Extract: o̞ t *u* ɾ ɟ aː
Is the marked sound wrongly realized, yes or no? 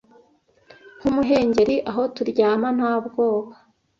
no